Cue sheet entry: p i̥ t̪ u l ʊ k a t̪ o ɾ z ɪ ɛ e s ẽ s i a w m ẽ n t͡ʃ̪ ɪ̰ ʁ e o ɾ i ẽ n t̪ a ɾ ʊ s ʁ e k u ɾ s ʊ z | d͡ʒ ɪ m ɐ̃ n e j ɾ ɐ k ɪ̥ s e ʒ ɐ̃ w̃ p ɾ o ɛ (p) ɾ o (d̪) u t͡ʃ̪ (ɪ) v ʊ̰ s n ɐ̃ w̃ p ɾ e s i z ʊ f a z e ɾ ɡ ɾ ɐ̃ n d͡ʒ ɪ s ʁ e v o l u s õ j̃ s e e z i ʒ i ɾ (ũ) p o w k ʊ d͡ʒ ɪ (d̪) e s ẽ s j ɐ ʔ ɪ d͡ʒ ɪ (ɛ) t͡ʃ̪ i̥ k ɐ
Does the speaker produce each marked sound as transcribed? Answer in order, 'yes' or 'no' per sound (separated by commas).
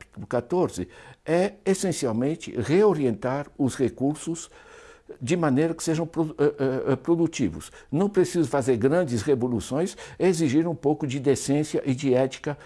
yes, yes, no, yes, yes, yes